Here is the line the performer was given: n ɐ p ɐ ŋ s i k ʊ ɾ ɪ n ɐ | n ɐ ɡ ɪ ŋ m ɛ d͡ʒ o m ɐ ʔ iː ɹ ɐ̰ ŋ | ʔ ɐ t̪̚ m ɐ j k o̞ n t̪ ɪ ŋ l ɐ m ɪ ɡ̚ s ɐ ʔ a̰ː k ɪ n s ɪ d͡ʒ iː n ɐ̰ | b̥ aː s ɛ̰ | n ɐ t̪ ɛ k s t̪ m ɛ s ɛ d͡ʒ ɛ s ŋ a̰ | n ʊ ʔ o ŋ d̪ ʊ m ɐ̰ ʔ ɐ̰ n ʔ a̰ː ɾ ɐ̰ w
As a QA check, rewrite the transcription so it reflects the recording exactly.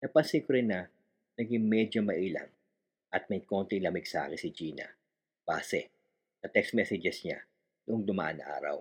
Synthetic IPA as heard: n ɐ p ɐ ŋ s i k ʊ ɾ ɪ n ɐ | n ɐ ɡ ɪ ŋ m ɛ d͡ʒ o m ɐ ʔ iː l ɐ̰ ŋ | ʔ ɐ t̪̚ m ɐ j k o̞ n t̪ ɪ ŋ l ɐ m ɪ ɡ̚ s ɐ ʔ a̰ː k ɪ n s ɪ d͡ʒ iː n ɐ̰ | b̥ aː s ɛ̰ | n ɐ t̪ ɛ k s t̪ m ɛ s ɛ d͡ʒ ɛ s ɲ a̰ | n ʊ ʔ o ŋ d̪ ʊ m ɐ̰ ʔ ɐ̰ n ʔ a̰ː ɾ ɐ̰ w